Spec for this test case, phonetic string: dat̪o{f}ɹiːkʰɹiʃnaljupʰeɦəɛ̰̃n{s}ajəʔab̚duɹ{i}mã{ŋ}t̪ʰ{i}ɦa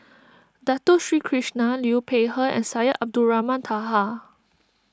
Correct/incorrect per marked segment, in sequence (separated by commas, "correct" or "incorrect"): incorrect, correct, incorrect, incorrect, incorrect